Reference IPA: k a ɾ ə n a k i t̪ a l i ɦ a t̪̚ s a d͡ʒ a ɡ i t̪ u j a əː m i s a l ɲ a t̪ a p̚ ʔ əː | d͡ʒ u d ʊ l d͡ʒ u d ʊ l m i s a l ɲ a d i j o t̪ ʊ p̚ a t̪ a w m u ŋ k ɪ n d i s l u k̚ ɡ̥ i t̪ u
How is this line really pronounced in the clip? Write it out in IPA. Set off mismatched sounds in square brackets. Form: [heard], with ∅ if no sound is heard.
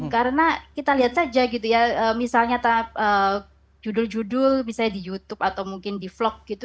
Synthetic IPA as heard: k a ɾ ə n a k i t̪ a l i ɦ a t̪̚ s a d͡ʒ a ɡ i t̪ u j a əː m i s a l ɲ a t̪ a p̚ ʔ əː | d͡ʒ u d ʊ l d͡ʒ u d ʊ l m i s a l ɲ a d i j [u] t̪ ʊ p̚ a t̪ a w m u ŋ k ɪ n d i [f] l [ɔ] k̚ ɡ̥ i t̪ u